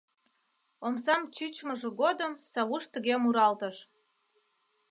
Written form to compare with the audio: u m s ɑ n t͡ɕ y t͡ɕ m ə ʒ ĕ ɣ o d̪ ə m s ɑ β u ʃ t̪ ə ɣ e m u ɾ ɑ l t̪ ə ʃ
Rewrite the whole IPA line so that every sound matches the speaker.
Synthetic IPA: o m s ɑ m t͡ɕ y t͡ɕ m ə ʒ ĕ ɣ o d̪ ə m s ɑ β u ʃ t̪ ə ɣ e m u ɾ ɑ l t̪ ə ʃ